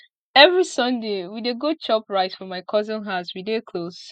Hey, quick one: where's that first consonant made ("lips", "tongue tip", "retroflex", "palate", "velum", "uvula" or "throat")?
lips